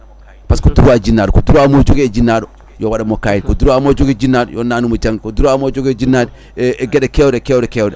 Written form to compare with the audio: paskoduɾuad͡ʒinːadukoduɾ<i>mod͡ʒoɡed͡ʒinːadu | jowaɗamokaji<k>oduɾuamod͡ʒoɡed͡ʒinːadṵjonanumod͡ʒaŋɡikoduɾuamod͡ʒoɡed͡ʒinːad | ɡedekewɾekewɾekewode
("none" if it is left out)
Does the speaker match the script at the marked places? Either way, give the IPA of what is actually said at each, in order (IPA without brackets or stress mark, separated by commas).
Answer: a, k